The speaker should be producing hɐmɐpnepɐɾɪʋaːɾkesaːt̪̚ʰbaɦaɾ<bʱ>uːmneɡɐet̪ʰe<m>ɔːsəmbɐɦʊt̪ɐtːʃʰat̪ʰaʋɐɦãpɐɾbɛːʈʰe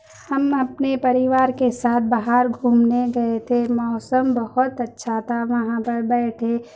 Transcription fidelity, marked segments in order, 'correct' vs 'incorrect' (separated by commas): incorrect, correct